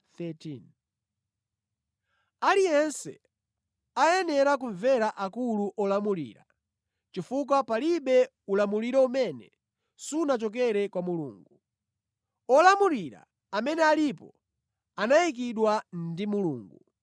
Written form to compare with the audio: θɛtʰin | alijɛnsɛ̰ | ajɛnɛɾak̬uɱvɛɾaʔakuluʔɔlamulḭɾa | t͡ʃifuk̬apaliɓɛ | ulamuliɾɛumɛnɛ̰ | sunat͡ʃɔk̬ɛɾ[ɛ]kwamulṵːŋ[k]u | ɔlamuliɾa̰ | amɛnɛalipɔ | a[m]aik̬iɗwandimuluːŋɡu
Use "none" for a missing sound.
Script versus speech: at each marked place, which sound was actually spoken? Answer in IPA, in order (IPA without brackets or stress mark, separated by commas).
ɛ, ɡ, n